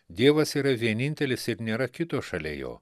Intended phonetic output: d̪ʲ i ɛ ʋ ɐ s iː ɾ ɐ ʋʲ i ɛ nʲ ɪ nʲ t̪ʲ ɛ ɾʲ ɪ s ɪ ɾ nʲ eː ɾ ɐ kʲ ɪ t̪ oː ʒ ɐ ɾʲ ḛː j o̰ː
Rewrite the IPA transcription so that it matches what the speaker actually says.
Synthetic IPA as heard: d̪ʲ i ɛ ʋ ɐ s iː ɾ ɐ ʋʲ i ɛ nʲ ɪ nʲ t̪ʲ ɛ lʲ ɪ s ɪ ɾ nʲ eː ɾ ɐ kʲ ɪ t̪ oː ʃ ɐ lʲ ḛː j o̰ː